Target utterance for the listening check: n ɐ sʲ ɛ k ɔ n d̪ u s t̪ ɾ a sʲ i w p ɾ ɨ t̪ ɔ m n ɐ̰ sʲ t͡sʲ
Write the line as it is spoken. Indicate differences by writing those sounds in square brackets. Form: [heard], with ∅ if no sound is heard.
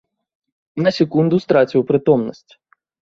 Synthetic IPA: n ɐ sʲ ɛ k [u] n d̪ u s t̪ ɾ a [t͡sʲ] i w p ɾ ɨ t̪ ɔ m n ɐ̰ sʲ t͡sʲ